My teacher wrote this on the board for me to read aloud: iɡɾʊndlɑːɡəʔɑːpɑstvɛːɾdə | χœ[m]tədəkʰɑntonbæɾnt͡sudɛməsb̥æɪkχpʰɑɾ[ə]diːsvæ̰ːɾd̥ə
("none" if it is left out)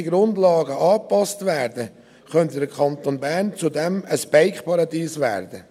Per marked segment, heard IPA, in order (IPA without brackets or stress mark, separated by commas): n, ɑ